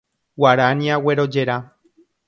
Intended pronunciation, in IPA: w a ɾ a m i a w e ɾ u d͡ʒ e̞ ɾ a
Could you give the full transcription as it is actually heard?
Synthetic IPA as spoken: w a ɾ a n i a w e ɾ o d͡ʒ e̞ ɾ a

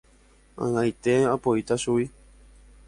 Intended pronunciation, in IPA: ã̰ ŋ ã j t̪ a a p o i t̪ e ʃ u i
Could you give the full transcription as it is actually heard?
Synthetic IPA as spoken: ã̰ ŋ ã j t̪ e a p o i t̪ a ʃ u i

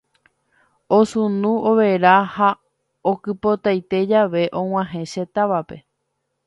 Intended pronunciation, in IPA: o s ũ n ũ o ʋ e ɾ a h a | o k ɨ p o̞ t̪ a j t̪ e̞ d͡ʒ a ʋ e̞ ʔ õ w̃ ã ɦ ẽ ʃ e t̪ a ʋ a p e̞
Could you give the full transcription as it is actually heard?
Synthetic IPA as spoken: o s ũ n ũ o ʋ e ɾ a h a | o k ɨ p o̞ t̪ a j t̪ e̞ d͡ʒ a ʋ e̞ ʔ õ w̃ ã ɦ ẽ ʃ e t̪ a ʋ a p e̞

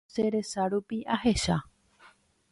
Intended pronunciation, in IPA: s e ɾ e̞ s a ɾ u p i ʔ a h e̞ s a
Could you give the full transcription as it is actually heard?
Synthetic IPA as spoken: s e ɾ e̞ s a ɾ u p i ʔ a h e̞ ʃ a

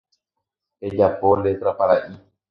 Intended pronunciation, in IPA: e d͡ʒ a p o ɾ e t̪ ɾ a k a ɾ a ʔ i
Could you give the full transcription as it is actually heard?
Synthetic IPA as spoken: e d͡ʒ a p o l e t̪ ɾ a p a ɾ a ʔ i

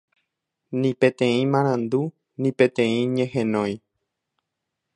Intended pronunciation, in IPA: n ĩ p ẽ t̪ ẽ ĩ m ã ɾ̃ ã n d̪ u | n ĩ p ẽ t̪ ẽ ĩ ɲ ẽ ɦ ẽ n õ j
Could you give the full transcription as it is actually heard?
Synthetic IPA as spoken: n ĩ p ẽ t̪ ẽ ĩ m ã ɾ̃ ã n d̪ u | n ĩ p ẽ t̪ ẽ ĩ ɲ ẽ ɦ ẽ n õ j

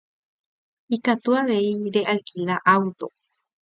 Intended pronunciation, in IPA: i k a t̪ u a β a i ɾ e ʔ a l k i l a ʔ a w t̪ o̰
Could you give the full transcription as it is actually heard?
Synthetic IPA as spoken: i k a t̪ u a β e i ɾ e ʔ a l k i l a ʔ a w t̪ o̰

